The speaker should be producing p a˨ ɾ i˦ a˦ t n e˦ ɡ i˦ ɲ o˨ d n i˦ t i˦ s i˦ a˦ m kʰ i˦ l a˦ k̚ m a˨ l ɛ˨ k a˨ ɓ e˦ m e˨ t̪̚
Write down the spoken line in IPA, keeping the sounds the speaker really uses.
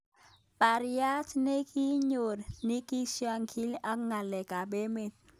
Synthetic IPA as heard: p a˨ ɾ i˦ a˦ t n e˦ k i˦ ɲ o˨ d n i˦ k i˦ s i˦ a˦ ŋ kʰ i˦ l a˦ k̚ ŋ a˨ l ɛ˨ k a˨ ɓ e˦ m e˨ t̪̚